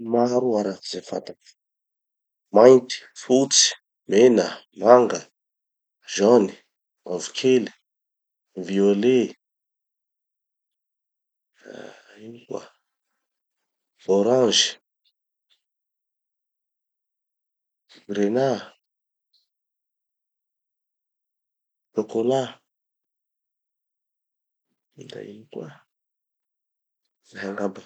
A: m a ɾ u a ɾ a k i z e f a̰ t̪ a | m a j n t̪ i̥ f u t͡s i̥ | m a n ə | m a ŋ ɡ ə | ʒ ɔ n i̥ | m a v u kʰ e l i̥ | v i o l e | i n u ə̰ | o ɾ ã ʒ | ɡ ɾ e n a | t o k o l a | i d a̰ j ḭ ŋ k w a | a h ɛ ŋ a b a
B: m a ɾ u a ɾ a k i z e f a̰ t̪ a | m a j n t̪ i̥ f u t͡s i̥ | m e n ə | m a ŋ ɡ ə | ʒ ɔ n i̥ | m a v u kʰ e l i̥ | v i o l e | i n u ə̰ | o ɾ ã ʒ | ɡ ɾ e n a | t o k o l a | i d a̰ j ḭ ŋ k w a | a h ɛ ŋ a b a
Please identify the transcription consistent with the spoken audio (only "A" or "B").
B